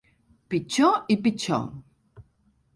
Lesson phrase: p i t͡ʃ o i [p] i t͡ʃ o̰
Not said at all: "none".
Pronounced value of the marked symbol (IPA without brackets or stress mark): p